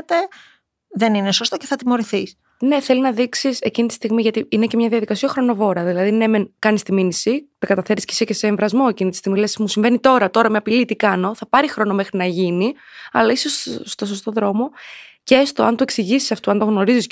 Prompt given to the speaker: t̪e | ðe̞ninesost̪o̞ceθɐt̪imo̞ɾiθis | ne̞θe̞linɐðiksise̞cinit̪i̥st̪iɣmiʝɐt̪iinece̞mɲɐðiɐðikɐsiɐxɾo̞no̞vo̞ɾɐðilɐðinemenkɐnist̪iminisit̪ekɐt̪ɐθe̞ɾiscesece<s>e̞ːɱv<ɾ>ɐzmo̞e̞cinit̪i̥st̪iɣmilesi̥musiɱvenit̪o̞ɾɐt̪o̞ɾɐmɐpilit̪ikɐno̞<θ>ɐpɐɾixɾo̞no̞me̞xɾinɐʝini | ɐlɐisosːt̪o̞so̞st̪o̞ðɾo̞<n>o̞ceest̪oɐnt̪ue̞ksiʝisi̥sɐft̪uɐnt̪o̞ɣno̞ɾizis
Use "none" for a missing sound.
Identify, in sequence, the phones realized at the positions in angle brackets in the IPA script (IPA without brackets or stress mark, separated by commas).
s, ɾ, θ, m